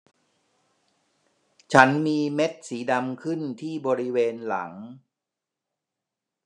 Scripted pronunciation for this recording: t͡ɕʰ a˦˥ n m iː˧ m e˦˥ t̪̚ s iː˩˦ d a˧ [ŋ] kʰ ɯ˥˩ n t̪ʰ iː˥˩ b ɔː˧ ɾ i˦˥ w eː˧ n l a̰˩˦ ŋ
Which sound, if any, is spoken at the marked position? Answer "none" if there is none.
m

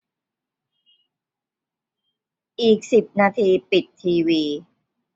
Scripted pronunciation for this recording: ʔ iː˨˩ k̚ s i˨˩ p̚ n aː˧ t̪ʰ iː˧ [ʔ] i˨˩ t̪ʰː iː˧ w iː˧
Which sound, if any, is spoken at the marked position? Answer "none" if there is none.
p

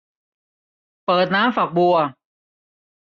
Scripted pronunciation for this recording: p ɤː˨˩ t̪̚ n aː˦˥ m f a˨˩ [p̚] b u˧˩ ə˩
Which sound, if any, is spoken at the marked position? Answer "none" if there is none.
k̚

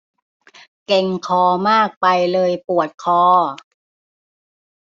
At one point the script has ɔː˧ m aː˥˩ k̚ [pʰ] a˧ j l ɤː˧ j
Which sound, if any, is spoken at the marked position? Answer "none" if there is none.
p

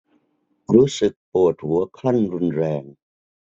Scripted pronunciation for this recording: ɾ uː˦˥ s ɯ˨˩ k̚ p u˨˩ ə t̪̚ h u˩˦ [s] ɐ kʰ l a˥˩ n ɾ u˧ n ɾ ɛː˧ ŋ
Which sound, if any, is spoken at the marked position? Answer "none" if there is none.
none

